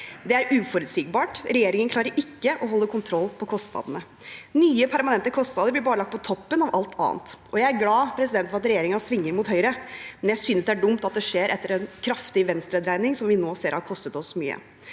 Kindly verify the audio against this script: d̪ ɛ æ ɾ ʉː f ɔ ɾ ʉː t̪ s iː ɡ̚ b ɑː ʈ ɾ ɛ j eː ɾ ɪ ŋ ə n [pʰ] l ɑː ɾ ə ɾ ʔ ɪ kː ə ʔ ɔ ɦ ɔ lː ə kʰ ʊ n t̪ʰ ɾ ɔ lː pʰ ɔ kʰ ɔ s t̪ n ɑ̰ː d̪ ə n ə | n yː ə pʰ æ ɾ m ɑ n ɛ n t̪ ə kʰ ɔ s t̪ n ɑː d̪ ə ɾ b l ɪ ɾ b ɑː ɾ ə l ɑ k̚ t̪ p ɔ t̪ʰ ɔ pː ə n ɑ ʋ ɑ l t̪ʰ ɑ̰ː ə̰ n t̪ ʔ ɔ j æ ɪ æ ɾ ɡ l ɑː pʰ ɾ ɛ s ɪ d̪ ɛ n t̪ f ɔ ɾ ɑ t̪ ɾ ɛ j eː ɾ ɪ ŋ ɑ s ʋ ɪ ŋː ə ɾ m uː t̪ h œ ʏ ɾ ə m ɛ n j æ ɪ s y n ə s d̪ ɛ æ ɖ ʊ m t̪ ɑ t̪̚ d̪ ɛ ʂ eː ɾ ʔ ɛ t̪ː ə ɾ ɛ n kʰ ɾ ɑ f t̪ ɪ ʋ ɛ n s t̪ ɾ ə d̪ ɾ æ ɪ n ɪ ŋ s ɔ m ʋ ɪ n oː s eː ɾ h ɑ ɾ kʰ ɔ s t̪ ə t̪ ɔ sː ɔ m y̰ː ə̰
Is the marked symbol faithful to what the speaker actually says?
no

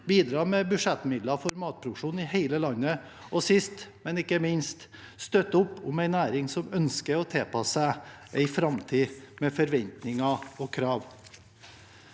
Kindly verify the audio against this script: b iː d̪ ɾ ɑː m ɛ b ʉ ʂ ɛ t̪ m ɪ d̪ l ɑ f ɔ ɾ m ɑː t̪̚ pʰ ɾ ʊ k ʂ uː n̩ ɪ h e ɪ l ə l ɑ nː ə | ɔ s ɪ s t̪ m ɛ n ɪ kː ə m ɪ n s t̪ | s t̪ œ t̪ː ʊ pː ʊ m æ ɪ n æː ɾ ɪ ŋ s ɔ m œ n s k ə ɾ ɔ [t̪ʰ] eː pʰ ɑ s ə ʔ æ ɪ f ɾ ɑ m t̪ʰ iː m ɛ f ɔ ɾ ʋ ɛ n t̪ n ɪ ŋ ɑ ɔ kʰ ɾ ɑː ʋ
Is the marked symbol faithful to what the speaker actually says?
yes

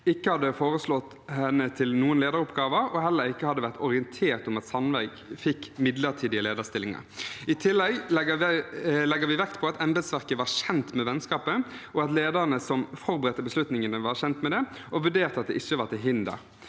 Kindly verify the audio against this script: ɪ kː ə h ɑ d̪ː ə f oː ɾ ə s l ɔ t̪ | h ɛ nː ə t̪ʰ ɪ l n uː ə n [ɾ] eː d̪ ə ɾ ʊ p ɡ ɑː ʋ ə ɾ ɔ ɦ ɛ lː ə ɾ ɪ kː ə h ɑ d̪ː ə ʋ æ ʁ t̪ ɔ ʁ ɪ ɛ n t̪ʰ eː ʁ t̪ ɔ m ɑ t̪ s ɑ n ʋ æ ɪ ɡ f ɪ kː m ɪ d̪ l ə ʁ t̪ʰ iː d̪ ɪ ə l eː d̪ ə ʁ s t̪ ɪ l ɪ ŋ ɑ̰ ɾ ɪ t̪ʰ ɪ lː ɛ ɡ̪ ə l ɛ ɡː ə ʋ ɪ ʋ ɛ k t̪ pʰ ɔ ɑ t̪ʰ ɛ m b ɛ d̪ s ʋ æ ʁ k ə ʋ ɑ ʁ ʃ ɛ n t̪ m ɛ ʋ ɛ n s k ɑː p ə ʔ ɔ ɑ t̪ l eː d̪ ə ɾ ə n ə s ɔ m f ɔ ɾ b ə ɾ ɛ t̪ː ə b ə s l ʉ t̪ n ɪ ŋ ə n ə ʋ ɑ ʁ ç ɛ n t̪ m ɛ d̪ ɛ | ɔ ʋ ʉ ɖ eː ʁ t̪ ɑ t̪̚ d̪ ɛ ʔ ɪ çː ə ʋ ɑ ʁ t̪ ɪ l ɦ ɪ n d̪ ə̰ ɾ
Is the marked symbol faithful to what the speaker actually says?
no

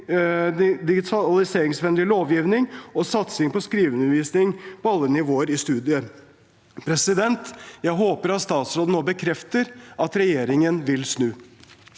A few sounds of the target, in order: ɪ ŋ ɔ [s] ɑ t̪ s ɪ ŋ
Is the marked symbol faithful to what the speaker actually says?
yes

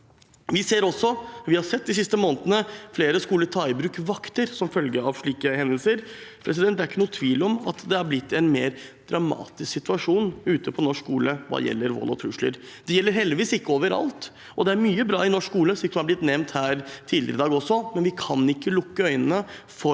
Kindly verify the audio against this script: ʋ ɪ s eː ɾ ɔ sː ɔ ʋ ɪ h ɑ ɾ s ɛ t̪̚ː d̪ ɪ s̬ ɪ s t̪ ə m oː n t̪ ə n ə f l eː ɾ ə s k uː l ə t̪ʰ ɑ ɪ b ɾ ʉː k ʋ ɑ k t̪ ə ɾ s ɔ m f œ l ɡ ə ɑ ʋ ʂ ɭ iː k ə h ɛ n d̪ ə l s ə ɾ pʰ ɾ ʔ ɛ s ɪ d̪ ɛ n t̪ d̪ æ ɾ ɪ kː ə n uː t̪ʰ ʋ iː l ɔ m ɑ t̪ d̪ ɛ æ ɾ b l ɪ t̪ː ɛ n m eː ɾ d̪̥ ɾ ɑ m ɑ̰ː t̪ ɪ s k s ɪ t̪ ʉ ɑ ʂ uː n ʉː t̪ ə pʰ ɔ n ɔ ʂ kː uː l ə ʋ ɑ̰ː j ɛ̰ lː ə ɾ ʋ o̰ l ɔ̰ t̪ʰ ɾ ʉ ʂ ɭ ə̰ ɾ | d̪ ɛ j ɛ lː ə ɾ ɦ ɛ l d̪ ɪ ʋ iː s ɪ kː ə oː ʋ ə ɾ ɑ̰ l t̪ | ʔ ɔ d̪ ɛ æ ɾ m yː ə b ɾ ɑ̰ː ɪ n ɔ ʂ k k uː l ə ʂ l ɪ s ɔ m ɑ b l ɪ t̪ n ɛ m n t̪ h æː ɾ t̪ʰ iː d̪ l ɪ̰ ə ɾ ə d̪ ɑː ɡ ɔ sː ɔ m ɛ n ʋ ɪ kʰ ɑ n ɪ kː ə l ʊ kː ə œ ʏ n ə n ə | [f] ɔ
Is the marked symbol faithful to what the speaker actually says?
yes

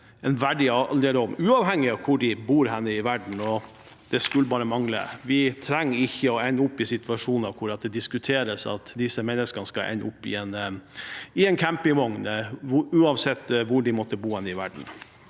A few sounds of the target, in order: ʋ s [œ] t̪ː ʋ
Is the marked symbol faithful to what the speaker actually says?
no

